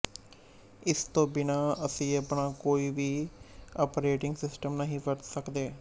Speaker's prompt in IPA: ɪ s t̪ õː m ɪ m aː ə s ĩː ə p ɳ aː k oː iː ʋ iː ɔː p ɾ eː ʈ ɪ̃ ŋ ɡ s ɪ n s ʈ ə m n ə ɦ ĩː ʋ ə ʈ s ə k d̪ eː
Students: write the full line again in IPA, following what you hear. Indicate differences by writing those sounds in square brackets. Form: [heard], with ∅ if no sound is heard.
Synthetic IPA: ɪ s t̪ õː [b] ɪ [n] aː ə s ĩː ə p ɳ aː k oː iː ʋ iː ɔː p ɾ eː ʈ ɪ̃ ŋ ɡ s ɪ [∅] s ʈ ə m n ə ɦ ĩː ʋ ə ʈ s ə k d̪ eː